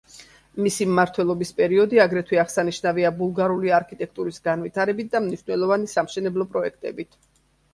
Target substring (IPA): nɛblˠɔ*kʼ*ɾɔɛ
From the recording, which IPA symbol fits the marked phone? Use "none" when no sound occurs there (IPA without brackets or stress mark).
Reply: pʼ